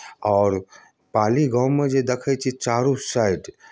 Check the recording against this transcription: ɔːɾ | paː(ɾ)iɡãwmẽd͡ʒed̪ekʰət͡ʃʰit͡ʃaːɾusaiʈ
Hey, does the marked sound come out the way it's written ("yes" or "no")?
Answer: no